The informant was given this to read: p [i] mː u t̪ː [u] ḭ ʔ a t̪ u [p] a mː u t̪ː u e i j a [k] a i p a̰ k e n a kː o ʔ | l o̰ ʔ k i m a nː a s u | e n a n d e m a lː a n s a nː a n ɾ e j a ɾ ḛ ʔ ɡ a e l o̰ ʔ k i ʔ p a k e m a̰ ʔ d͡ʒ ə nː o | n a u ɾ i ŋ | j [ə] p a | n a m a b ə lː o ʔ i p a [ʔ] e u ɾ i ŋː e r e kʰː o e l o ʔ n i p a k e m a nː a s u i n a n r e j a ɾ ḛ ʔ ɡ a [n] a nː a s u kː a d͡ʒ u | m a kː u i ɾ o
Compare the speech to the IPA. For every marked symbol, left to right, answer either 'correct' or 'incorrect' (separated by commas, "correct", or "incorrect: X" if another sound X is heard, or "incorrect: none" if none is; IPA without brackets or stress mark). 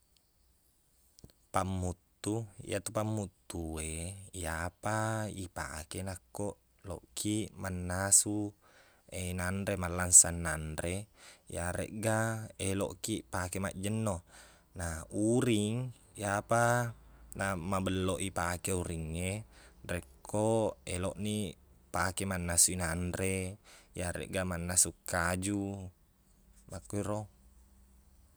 incorrect: a, correct, correct, incorrect: p, incorrect: a, incorrect: k, incorrect: m